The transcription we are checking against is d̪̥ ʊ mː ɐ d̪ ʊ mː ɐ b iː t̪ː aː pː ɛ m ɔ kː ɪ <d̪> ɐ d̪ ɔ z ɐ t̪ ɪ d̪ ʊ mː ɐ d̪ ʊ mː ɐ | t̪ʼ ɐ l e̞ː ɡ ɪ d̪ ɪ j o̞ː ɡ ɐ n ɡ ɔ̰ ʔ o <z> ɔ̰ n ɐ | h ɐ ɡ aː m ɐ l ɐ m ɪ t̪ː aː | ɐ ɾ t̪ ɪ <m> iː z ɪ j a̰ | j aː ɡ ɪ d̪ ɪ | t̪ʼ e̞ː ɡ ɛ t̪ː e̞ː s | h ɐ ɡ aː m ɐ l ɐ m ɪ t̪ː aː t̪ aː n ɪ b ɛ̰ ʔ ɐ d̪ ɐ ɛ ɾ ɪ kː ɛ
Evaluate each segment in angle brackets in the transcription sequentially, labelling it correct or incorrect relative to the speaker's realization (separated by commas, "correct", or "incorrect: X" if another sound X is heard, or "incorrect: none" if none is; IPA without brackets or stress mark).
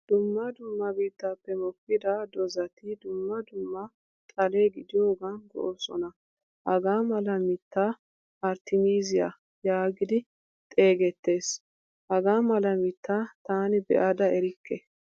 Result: correct, incorrect: s, correct